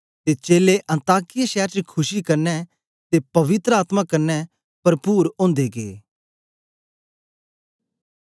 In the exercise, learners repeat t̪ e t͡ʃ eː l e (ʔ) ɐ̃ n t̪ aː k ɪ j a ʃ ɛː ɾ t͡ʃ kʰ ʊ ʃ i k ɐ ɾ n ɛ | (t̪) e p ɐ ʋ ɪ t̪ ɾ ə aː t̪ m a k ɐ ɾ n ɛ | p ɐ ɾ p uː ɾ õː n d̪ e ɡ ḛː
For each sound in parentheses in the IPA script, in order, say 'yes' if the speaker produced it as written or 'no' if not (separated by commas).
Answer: yes, yes